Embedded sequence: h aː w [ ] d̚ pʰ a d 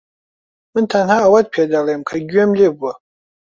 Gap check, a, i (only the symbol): a